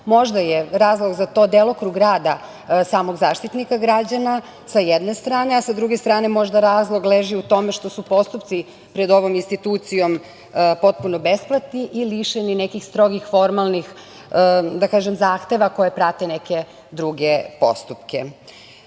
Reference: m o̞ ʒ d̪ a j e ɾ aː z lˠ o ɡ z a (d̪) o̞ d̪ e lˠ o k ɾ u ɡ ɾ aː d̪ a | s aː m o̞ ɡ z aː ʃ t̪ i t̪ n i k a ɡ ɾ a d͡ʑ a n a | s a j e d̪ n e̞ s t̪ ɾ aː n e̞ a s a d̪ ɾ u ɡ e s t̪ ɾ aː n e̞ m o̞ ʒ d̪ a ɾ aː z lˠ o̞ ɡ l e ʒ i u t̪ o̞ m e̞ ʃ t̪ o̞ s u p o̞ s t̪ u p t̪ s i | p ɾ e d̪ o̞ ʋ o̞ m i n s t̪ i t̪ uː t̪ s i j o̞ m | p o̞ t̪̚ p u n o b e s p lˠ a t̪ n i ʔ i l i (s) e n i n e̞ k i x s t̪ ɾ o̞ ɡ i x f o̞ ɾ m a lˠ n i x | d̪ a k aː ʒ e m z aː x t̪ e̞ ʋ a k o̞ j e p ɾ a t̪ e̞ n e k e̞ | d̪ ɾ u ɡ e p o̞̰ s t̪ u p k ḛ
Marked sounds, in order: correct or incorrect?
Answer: incorrect: t̪, incorrect: ʃ

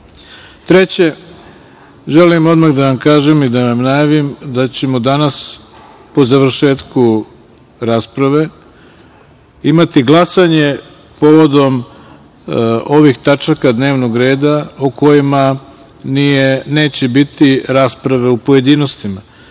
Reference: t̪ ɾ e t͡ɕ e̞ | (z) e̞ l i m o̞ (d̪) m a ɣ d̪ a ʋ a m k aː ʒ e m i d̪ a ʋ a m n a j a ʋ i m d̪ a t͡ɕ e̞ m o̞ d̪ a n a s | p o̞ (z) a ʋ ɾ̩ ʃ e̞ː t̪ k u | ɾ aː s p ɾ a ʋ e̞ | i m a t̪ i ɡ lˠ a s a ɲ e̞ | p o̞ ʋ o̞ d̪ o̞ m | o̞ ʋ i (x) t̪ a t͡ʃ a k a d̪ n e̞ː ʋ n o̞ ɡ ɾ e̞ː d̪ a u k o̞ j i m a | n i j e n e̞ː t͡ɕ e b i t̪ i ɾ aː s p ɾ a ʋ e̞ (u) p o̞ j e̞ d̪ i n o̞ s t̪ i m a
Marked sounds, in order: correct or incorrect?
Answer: incorrect: ʒ, correct, correct, correct, correct

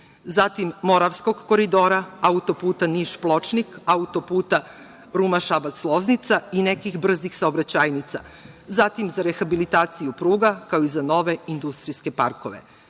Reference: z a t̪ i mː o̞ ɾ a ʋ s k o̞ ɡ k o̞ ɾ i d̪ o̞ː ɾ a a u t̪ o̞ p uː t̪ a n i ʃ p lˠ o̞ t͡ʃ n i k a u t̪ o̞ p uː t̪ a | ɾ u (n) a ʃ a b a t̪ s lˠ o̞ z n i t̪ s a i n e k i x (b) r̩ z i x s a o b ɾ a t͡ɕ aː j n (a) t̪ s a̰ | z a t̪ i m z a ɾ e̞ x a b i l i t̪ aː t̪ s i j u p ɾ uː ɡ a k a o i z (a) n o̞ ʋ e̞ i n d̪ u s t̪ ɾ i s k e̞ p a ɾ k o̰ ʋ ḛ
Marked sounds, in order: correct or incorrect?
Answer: incorrect: m, correct, incorrect: i, correct

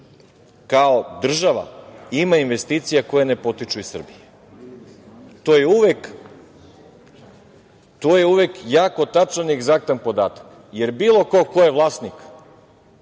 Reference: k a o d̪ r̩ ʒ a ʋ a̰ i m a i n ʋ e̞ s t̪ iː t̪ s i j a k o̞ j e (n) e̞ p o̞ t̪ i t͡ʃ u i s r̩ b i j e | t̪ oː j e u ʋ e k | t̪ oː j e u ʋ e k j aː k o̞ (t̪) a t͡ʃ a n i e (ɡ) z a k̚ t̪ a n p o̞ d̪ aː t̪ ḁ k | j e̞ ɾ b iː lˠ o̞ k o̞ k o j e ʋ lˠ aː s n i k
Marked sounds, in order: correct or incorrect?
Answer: correct, correct, correct

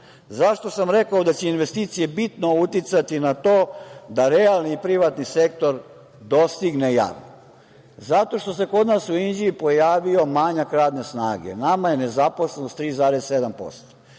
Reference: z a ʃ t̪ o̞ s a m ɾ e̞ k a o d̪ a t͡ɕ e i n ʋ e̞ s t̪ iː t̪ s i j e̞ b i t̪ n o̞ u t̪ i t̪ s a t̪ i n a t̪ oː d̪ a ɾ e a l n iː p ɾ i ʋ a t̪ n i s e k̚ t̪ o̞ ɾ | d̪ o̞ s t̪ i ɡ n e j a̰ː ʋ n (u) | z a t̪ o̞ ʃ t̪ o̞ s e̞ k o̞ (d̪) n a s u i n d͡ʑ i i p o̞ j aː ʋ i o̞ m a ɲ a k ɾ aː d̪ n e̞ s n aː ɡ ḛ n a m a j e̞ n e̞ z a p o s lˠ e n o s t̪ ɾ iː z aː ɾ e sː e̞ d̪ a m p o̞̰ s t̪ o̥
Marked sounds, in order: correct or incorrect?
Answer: incorrect: o, correct

